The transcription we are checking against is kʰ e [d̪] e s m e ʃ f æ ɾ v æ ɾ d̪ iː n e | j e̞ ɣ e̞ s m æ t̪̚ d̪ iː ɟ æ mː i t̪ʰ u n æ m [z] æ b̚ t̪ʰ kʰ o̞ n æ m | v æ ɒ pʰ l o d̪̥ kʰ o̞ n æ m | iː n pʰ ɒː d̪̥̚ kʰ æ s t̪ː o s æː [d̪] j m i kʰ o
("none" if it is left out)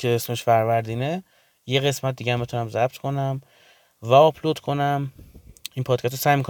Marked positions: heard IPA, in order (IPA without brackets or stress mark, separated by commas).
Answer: none, z, none